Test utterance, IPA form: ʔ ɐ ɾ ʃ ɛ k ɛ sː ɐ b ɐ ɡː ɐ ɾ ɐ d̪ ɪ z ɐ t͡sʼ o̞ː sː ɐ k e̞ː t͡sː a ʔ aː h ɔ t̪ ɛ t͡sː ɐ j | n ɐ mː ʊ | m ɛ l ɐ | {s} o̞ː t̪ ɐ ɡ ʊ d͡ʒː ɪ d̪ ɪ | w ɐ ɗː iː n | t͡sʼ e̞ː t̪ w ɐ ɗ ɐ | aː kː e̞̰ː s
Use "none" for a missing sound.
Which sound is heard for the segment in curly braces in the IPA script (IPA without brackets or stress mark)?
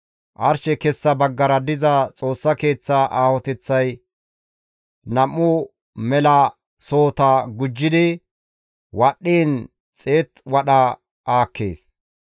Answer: s